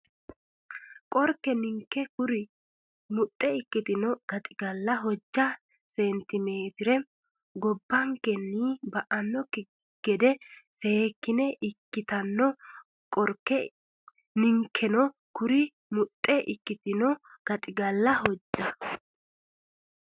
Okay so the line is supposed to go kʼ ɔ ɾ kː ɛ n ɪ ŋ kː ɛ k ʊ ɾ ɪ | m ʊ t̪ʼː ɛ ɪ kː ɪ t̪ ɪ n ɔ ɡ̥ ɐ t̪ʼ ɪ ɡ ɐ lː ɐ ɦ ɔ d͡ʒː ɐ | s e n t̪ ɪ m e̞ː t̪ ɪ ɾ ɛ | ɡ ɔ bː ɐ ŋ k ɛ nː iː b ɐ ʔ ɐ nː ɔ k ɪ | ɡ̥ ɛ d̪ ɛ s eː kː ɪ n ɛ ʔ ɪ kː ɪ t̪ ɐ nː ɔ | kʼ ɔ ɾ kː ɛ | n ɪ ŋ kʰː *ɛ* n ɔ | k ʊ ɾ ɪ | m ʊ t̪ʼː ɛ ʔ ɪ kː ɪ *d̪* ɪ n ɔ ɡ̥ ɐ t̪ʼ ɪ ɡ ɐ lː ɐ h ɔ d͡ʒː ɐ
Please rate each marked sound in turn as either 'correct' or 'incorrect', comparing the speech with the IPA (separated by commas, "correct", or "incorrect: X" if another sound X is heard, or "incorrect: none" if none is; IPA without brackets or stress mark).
correct, incorrect: t̪